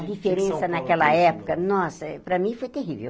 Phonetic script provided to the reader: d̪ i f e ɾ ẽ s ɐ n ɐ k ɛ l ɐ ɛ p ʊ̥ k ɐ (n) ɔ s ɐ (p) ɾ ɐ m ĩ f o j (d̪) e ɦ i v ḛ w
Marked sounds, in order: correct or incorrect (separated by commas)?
correct, correct, incorrect